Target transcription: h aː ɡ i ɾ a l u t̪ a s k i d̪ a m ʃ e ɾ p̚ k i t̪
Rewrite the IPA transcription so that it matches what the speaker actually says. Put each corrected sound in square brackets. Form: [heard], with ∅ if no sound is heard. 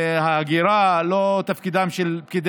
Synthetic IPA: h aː ɡ i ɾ a l [o] t̪ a [f] k i d̪ a m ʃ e [l] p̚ k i [d̪]